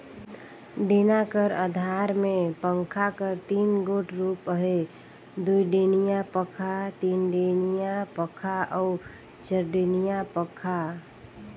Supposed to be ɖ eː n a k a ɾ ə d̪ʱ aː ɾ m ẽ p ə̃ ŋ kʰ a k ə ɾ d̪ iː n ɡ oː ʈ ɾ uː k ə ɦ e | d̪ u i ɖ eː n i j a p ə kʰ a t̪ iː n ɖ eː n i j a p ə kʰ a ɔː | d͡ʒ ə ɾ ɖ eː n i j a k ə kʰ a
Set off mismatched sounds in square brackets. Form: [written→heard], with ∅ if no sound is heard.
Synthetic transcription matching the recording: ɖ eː n a k [a→ə] ɾ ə d̪ʱ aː ɾ m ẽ p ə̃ ŋ kʰ a k ə ɾ [d̪→t̪] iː n ɡ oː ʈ ɾ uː [k→p] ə ɦ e | d̪ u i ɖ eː n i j a p ə kʰ a t̪ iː n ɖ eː n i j a p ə kʰ a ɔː | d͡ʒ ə ɾ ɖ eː n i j a [k→p] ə kʰ a